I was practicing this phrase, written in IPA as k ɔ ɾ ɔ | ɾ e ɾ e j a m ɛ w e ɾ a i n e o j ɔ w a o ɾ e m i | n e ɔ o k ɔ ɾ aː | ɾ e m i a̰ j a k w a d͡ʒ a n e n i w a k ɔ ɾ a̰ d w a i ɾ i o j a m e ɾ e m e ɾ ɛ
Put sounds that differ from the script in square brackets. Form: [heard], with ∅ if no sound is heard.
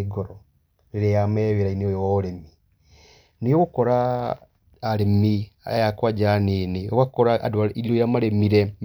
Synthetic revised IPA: [ɡ] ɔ ɾ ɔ | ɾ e ɾ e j a m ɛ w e ɾ a i n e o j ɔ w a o ɾ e m i | n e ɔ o k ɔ ɾ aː | ɾ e m i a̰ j a k w a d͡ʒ a n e n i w a k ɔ ɾ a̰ d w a i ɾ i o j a m [a] ɾ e m [i] ɾ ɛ